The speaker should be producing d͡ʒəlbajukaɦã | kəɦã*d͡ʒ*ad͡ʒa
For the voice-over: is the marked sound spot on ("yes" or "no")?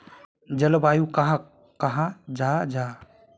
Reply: yes